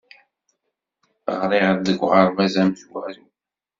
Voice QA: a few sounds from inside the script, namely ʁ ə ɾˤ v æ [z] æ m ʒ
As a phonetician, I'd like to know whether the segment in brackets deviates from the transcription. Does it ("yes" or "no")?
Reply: no